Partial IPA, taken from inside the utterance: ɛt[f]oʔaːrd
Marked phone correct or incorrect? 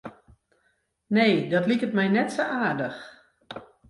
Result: incorrect